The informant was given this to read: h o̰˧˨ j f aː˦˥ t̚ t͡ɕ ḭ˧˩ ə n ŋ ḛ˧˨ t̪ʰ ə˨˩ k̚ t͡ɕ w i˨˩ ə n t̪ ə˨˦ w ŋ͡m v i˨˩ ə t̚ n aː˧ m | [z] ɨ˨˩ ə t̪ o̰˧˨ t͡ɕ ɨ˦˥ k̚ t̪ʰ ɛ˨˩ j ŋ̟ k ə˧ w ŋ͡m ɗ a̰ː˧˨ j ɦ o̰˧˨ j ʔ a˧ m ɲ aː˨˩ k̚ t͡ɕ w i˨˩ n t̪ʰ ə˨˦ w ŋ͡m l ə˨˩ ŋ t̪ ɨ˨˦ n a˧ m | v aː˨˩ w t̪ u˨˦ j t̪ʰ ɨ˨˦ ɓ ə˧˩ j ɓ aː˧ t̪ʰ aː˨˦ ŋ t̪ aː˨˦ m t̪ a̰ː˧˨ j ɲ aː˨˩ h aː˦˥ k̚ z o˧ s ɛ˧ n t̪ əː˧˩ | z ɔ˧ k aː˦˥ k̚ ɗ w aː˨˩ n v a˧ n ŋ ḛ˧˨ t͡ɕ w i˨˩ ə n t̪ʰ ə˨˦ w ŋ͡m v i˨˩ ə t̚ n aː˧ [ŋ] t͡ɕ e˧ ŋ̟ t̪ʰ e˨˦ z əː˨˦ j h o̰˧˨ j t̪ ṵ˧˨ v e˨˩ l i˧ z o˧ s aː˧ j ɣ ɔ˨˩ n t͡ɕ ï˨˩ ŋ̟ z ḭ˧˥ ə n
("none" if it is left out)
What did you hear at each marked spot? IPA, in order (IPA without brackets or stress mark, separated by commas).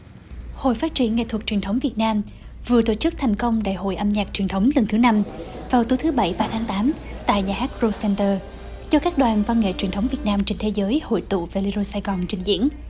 v, m